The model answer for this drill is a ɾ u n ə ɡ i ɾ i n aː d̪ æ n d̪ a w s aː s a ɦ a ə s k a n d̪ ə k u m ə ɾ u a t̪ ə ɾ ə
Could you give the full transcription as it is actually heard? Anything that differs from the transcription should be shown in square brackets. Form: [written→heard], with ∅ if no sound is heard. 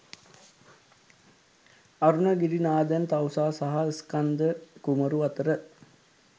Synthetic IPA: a ɾ u n ə ɡ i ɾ i n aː d̪ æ n [d̪→t̪] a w s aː s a ɦ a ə s k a n d̪ ə k u m ə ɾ u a t̪ ə ɾ ə